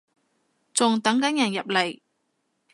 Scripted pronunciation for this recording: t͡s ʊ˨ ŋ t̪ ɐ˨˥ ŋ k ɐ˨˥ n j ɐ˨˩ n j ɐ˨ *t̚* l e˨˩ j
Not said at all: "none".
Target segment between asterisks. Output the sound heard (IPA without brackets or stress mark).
p̚